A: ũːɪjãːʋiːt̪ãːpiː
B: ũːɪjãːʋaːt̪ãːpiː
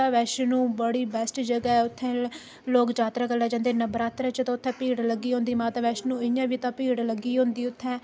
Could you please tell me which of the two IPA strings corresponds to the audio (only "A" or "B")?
A